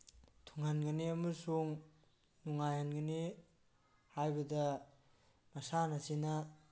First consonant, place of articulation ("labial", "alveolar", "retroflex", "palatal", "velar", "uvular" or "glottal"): alveolar